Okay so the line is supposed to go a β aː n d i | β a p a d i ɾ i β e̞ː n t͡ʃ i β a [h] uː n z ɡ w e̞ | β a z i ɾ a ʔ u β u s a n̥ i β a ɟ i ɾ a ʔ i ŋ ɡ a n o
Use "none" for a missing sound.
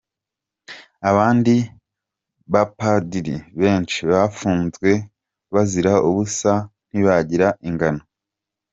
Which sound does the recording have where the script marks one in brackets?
f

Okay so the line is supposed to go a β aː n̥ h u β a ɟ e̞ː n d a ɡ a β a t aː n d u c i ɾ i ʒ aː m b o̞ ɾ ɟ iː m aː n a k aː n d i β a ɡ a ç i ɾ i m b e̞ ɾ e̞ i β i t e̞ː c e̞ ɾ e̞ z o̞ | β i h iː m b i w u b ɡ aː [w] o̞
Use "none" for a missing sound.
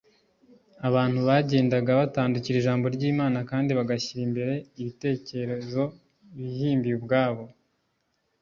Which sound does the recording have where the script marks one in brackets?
β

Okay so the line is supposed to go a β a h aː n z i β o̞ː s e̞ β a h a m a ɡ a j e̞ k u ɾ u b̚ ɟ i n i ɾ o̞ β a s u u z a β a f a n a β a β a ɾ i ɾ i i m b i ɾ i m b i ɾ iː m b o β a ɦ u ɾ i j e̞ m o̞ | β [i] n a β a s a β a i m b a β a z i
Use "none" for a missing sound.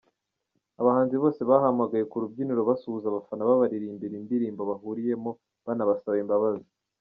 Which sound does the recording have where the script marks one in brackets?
a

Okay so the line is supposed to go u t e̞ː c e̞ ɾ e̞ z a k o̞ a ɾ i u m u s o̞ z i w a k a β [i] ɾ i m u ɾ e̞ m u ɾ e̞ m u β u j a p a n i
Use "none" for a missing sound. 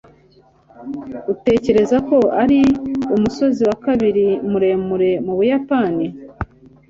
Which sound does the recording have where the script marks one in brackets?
i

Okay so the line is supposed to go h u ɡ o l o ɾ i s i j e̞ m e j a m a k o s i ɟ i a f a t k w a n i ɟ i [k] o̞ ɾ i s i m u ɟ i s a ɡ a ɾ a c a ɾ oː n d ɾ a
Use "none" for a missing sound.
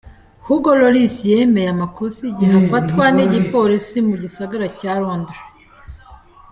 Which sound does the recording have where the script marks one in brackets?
p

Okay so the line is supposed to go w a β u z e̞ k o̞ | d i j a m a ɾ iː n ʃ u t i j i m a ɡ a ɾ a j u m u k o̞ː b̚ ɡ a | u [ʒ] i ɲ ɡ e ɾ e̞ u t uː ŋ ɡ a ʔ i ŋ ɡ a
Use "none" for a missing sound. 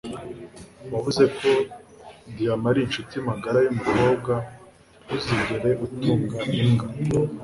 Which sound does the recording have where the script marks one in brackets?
z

